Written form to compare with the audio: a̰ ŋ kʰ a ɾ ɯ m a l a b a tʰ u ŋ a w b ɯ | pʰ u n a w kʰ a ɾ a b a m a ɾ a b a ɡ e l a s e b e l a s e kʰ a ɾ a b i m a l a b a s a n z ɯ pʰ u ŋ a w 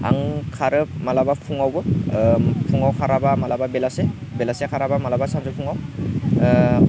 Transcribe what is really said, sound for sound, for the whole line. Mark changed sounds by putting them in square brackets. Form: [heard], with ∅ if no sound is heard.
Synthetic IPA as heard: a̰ ŋ kʰ a ɾ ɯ m a l a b a [pʰ] u ŋ a w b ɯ | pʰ u [ŋ] a w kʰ a ɾ a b a m a [l] a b a [b] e l a s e b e l a s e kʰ a ɾ a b [a] m a l a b a s a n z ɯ pʰ u ŋ a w